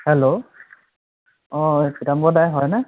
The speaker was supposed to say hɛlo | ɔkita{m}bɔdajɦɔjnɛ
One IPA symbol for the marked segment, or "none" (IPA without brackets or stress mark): m